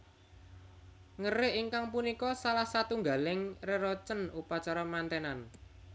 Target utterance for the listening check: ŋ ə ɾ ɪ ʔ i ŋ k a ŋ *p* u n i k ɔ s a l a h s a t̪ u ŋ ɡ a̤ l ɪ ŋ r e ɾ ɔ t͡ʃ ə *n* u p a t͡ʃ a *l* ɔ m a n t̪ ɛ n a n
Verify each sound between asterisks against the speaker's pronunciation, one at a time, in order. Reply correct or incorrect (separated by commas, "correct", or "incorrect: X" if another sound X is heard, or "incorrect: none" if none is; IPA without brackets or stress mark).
correct, correct, incorrect: ɾ